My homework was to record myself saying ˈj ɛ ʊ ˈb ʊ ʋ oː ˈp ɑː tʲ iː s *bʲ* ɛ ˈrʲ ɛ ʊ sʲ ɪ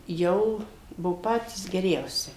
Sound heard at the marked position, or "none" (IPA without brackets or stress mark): ɡʲ